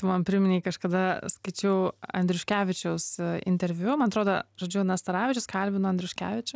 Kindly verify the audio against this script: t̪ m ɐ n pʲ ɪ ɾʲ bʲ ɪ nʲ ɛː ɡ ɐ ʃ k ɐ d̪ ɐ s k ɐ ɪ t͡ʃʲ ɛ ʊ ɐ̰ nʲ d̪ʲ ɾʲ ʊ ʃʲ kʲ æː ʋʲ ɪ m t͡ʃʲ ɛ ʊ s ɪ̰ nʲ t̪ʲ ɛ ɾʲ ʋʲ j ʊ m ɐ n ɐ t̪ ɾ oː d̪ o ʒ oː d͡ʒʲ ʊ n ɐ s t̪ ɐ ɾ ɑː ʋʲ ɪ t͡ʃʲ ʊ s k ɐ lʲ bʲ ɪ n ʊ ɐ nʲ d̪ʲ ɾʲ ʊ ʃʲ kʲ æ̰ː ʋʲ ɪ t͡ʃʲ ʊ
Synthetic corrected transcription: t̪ m ɐ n pʲ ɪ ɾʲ mʲ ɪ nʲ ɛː k ɐ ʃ k ɐ d̪ ɐ s k ɐ ɪ t͡ʃʲ ɛ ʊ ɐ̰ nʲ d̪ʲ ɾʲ ʊ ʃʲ kʲ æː ʋʲ ɪ t͡ʃʲ ɛ ʊ s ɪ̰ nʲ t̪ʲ ɛ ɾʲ ʋʲ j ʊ m ɐ n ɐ t̪ ɾ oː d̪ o ʒ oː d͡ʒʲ ʊ n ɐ s t̪ ɐ ɾ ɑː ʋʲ ɪ t͡ʃʲ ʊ s k ɐ lʲ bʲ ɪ n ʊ ɐ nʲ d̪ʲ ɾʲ ʊ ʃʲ kʲ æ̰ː ʋʲ ɪ t͡ʃʲ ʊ